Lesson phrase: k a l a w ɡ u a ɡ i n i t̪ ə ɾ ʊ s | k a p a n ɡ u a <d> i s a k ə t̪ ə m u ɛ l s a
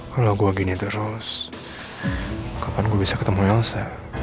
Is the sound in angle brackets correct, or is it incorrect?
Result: incorrect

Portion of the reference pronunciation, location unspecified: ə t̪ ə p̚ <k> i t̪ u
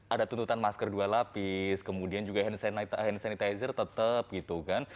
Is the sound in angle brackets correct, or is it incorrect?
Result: incorrect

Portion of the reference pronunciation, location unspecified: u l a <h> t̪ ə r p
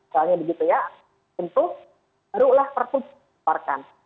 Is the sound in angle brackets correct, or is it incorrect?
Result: correct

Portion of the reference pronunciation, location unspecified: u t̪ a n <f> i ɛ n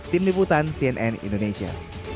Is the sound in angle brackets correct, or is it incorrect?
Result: incorrect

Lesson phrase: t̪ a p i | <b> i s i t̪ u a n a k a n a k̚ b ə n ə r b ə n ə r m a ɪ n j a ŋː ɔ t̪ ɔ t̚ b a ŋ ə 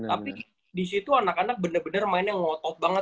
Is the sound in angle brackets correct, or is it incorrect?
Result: incorrect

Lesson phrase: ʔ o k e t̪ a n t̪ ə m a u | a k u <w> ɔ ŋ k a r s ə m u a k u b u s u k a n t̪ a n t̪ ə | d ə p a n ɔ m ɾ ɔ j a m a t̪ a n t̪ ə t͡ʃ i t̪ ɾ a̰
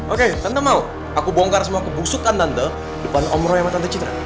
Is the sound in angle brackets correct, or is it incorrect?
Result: incorrect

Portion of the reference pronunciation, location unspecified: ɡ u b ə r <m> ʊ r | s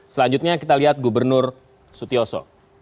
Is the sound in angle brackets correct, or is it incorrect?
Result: incorrect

